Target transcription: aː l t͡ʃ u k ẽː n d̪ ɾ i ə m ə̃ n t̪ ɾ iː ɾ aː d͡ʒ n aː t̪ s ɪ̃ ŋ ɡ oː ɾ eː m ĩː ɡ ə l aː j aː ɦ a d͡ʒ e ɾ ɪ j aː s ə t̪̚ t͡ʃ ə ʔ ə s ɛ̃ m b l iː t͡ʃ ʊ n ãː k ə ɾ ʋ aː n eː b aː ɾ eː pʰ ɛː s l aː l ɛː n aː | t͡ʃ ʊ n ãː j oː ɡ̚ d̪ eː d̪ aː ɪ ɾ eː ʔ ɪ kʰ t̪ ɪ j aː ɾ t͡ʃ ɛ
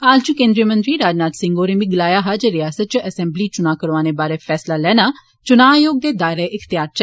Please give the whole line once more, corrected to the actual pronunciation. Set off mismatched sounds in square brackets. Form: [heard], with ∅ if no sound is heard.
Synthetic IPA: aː l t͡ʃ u k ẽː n d̪ ɾ i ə m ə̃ n t̪ ɾ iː ɾ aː d͡ʒ n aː t̪ s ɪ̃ ŋ ɡ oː ɾ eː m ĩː ɡ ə l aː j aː ɦ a d͡ʒ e ɾ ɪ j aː s ə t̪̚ t͡ʃ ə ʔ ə s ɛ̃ m b l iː t͡ʃ ʊ n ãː k ə ɾ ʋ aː n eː b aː ɾ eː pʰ ɛː s l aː l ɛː n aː | t͡ʃ ʊ n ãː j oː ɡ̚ d̪ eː d̪ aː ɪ ɾ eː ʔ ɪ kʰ t̪ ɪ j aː ɾ t͡ʃ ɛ